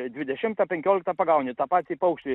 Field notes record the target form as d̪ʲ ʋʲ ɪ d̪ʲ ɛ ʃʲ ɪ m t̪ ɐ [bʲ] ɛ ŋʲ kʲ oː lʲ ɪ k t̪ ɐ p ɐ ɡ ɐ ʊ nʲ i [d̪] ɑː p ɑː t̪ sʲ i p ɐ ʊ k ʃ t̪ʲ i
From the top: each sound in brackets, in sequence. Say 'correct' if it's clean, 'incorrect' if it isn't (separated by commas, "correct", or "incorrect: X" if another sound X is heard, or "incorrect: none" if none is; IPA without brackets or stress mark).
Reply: incorrect: pʲ, incorrect: t̪